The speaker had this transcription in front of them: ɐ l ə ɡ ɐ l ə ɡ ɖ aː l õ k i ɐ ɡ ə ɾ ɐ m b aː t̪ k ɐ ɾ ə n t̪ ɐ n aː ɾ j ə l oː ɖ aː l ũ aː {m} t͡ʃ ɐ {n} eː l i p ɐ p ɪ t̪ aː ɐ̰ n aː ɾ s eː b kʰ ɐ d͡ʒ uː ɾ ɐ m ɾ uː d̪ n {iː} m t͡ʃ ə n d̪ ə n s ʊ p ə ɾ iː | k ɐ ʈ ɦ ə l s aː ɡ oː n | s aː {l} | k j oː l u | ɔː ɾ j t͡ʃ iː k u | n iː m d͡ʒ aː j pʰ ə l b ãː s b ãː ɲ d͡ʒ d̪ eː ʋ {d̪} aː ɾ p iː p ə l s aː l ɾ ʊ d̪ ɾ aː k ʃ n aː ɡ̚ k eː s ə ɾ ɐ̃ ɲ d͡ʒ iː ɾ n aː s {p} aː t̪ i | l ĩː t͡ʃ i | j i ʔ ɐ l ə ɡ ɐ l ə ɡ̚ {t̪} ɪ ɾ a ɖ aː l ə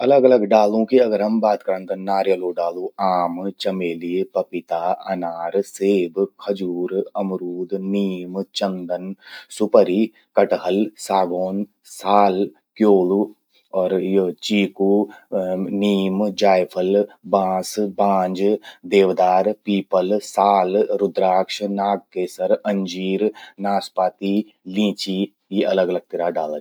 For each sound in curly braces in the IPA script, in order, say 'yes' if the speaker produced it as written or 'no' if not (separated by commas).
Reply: yes, no, yes, yes, yes, yes, yes